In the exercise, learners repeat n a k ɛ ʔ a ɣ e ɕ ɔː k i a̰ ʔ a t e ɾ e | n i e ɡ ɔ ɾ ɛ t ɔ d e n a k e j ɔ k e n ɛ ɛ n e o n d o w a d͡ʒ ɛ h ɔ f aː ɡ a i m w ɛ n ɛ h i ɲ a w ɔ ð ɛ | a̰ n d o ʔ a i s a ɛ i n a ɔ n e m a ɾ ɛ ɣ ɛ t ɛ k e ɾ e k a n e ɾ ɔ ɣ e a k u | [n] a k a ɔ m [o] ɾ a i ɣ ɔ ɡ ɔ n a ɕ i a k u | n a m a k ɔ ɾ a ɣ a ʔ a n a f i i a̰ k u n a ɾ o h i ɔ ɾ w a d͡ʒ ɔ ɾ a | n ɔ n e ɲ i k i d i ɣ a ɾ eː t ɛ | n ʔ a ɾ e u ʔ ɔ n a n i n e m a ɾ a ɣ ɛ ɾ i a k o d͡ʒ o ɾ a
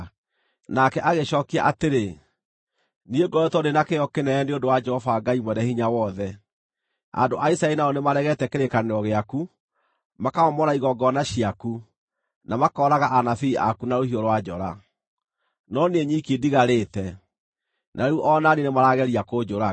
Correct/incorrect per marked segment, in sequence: incorrect: m, incorrect: ɔ

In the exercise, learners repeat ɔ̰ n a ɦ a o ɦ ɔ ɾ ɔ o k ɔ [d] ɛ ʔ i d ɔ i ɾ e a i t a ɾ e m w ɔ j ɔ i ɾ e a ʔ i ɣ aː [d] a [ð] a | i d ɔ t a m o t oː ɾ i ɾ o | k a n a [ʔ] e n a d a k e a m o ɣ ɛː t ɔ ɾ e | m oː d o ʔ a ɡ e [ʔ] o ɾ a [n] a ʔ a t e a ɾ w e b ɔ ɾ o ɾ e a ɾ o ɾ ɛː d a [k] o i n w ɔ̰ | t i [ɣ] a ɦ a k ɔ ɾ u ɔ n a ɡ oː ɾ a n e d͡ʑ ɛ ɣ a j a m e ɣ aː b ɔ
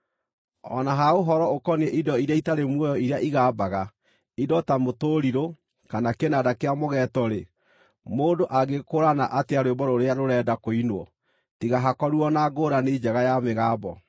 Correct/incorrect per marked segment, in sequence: incorrect: n, incorrect: b, incorrect: ɣ, incorrect: k, incorrect: k, correct, correct, correct

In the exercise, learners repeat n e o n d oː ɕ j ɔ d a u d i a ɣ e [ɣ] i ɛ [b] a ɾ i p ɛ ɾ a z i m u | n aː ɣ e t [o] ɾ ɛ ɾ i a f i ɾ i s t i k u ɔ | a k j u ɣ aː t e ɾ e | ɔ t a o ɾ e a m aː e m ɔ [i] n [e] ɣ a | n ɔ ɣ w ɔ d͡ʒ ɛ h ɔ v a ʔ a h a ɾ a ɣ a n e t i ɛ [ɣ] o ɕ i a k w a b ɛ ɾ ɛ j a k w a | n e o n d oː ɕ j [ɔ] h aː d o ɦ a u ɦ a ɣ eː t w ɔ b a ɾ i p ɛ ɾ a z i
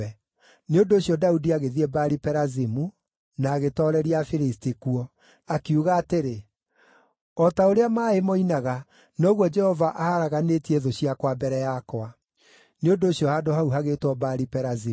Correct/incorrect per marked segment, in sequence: incorrect: ð, correct, incorrect: ɔ, correct, incorrect: a, incorrect: ð, correct

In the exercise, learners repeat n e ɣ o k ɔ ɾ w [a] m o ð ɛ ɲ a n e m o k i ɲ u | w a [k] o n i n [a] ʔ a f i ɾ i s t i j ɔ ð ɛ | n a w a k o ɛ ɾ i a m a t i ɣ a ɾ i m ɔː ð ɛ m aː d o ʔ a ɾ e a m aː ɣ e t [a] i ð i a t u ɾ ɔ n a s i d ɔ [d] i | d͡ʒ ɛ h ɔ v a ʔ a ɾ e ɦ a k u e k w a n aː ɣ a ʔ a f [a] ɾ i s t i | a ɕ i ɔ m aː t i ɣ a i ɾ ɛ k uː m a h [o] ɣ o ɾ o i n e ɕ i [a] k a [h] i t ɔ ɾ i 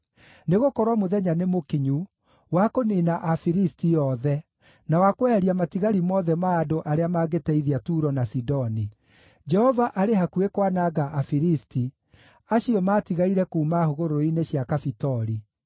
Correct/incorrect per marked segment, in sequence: correct, correct, correct, incorrect: ɛ, incorrect: n, incorrect: i, correct, correct, incorrect: f

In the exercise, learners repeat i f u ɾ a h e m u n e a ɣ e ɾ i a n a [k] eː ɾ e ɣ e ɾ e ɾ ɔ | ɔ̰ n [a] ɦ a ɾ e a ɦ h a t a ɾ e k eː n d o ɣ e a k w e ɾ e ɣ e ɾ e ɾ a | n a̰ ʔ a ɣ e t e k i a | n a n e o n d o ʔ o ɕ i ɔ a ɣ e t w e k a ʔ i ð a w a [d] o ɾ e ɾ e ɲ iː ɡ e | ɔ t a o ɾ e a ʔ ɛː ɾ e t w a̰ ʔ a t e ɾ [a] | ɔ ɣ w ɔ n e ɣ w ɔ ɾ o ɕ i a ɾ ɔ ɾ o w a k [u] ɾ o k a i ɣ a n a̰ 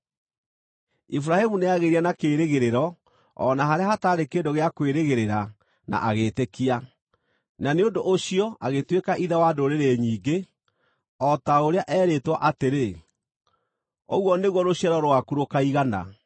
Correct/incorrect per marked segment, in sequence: correct, correct, correct, incorrect: e, correct

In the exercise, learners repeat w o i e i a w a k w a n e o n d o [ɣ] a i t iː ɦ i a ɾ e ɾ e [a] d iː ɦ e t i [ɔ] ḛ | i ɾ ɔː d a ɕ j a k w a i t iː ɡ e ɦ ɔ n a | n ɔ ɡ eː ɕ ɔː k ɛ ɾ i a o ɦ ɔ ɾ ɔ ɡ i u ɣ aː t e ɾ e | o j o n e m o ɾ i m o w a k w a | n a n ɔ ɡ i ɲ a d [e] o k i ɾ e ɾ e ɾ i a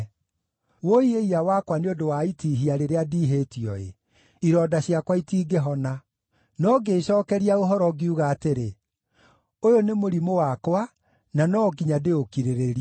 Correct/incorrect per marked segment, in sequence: incorrect: w, correct, correct, correct

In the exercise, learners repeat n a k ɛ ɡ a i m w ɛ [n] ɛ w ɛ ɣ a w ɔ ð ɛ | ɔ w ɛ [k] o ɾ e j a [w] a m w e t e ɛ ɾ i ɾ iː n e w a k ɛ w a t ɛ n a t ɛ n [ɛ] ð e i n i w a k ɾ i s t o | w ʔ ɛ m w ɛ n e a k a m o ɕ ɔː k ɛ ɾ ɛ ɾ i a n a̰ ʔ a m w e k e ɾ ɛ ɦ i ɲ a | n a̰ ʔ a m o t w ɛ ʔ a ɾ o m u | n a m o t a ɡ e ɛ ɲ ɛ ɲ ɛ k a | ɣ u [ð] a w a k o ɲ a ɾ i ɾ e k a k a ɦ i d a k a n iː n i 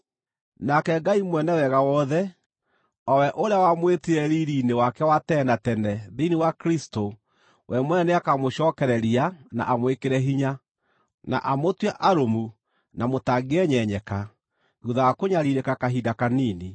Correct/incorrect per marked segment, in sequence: correct, incorrect: ʔ, correct, correct, correct

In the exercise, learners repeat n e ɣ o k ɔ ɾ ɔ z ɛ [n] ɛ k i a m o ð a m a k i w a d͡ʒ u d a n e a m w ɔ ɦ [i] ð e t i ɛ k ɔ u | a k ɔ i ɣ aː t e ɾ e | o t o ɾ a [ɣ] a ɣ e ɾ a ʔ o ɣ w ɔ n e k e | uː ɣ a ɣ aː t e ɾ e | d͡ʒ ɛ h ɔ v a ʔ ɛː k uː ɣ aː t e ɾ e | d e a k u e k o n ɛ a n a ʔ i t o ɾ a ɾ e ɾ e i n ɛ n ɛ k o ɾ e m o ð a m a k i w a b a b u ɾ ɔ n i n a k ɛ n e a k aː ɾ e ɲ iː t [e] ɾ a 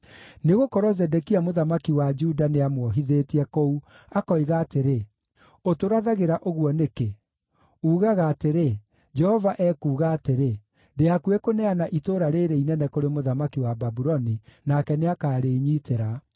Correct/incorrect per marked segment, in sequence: incorrect: d, correct, incorrect: ð, correct

